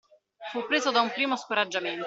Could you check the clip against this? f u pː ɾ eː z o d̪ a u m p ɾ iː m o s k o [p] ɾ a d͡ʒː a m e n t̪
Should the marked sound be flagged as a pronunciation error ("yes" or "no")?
yes